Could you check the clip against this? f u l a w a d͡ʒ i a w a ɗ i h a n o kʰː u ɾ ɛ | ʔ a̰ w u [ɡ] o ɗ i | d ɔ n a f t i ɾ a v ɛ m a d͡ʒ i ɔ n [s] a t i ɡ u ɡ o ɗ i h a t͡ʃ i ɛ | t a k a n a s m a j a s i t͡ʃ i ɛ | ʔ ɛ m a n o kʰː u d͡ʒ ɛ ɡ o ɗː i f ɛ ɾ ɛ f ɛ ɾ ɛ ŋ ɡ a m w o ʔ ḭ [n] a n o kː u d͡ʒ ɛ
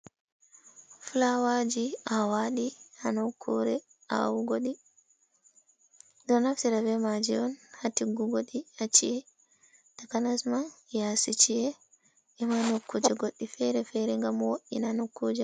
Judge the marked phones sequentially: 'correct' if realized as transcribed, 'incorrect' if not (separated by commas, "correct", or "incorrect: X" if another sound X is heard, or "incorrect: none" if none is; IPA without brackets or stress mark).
correct, incorrect: h, correct